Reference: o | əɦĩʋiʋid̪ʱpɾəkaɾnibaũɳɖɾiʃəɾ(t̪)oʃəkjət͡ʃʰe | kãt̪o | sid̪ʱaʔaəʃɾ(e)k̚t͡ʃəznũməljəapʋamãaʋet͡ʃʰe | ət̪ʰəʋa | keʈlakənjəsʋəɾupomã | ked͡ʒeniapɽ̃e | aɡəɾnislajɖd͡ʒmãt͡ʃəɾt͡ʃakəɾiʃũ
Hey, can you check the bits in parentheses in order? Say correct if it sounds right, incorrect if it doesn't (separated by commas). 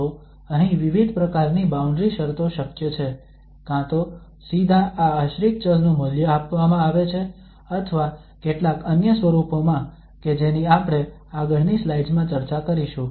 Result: correct, incorrect